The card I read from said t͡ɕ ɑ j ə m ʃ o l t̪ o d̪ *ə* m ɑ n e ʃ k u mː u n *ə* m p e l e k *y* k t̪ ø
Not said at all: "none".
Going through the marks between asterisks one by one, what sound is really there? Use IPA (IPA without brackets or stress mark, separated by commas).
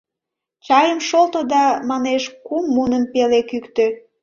ɑ, ə, y